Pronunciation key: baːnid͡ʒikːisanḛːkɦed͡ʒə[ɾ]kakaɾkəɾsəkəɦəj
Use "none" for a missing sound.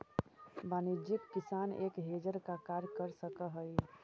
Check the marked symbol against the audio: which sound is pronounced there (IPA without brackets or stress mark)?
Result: ɾ